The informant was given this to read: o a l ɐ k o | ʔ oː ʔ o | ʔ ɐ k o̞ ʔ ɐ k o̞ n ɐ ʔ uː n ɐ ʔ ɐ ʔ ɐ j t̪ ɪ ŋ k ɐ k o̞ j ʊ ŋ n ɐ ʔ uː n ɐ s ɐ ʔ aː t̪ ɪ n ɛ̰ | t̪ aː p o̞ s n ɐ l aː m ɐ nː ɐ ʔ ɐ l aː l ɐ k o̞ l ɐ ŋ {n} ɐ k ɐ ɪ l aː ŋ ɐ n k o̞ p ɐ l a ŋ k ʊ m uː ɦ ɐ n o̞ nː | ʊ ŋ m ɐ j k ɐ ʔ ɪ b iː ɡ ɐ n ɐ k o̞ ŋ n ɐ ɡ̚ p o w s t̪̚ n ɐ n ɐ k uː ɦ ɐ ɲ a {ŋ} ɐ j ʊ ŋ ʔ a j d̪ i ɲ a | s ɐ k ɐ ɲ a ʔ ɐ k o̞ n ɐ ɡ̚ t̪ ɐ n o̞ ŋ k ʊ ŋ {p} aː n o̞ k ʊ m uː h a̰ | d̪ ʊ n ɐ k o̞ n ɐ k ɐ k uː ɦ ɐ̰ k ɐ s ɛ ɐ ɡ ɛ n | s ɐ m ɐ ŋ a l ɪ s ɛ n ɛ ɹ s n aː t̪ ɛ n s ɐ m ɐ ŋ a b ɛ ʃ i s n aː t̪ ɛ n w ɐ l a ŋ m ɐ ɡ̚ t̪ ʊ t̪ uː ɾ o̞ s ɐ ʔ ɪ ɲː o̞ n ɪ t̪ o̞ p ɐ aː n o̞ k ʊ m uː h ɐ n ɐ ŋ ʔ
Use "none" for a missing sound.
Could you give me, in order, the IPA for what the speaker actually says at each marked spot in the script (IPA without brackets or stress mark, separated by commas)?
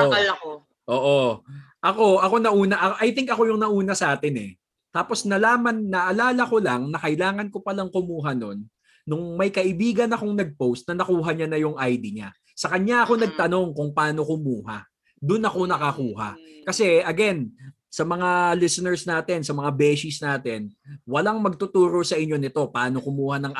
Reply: n, n, p